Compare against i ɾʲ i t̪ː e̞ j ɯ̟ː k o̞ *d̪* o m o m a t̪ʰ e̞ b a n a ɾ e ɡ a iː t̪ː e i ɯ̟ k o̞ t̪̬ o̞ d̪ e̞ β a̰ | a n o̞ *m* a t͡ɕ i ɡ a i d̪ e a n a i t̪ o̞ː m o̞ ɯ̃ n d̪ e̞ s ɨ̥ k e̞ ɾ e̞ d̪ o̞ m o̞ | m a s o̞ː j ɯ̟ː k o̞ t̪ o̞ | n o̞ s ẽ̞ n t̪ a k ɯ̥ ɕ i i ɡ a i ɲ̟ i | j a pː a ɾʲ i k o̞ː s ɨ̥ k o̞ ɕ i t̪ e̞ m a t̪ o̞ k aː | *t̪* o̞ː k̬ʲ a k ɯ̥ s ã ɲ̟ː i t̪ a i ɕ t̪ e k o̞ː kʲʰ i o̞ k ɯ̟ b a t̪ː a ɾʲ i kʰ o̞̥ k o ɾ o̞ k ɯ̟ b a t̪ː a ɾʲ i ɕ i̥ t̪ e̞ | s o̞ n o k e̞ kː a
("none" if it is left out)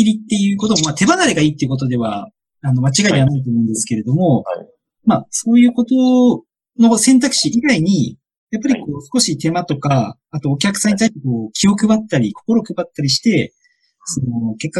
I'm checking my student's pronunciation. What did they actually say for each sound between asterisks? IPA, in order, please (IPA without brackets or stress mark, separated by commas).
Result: t̪, m, t̪